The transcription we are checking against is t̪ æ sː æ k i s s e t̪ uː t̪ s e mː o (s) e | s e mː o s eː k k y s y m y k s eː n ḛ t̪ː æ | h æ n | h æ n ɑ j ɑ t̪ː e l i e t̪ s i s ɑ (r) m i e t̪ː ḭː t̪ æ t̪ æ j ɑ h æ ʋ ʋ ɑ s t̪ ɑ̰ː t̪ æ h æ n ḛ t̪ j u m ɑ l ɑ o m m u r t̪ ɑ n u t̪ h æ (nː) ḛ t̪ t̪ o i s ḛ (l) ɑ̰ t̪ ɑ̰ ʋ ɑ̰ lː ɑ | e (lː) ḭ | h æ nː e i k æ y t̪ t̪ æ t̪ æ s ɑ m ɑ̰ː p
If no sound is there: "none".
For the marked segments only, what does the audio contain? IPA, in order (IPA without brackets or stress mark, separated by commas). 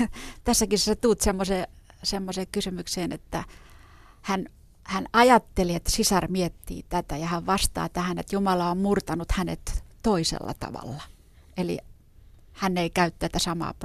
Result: s, r, n, lː, l